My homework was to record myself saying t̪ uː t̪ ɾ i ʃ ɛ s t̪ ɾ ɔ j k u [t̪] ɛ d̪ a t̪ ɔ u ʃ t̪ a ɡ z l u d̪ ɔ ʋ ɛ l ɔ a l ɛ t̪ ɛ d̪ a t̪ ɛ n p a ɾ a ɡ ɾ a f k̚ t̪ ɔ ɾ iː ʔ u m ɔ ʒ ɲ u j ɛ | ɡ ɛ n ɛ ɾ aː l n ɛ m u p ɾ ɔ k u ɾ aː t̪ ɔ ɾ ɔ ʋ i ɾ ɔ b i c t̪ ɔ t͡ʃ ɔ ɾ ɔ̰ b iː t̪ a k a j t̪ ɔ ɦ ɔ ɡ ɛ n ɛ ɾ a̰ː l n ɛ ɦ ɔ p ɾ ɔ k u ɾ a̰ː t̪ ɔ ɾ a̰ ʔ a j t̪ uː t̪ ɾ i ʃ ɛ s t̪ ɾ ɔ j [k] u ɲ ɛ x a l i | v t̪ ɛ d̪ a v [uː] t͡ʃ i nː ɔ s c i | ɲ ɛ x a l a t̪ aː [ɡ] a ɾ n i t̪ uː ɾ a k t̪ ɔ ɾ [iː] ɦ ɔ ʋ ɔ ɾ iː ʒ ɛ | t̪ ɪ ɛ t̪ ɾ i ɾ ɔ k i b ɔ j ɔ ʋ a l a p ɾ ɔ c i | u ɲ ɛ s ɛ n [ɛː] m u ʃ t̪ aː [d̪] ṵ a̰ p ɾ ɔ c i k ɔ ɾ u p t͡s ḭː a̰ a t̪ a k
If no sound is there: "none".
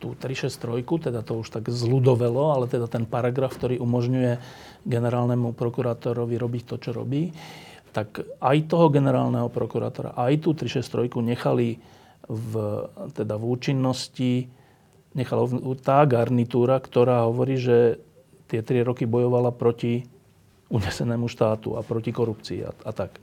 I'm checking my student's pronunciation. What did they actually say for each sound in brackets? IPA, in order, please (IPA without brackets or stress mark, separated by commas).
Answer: t̪, k, uː, ɡ, aː, ɛː, t̪